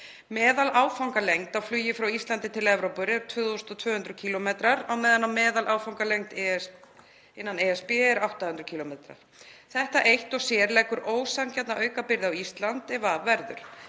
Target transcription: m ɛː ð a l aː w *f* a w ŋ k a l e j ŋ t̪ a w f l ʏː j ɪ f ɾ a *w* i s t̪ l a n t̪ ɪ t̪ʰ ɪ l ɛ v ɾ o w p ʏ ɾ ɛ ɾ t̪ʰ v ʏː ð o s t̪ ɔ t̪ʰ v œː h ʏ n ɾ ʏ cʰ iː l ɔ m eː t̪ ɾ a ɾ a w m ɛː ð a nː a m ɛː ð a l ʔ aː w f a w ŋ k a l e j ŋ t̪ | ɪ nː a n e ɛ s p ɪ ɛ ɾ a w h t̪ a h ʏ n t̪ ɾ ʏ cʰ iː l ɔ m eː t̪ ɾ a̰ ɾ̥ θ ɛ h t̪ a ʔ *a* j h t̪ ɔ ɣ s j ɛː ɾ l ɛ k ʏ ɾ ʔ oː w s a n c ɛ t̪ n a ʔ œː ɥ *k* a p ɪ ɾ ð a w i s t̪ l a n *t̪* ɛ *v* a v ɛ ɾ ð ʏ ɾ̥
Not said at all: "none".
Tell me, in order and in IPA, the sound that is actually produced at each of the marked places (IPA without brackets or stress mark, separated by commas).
f, w, e, k, t̪, v